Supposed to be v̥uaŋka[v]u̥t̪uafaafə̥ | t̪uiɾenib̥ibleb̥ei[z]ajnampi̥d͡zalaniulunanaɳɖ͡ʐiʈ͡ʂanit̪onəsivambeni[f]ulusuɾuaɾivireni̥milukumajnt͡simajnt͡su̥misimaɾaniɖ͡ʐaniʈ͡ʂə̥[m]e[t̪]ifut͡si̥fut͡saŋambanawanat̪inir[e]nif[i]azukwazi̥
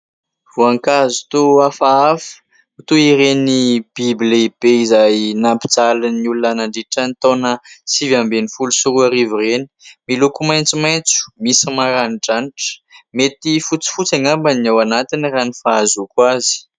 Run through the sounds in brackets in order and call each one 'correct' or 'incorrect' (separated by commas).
incorrect, correct, correct, correct, correct, incorrect, incorrect